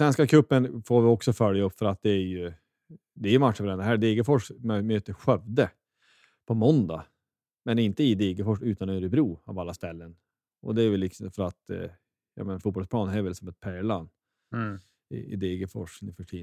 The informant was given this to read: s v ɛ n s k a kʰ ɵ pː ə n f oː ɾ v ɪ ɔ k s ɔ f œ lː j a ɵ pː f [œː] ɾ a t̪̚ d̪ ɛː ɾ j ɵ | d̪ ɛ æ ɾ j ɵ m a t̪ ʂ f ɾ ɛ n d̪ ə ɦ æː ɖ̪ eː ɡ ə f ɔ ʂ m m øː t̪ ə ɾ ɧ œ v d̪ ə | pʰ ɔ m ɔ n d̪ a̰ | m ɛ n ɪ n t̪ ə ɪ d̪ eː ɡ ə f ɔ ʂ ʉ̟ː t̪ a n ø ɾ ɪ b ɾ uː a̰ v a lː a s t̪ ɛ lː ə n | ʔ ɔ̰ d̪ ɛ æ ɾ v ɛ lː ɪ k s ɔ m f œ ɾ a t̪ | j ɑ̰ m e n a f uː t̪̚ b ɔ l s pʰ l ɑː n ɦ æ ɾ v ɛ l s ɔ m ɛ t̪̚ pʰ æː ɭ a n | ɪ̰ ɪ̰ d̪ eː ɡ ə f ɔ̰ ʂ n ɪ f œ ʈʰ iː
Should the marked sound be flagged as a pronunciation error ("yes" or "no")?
yes